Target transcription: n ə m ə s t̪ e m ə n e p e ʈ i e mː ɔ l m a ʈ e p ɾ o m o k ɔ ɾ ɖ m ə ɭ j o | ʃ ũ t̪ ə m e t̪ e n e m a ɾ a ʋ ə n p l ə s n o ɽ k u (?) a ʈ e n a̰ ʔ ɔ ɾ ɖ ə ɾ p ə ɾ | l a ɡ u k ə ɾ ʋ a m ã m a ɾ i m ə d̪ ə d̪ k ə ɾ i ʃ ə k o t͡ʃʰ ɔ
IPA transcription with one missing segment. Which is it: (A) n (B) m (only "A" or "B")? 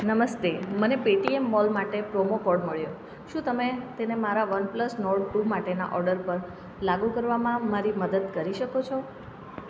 B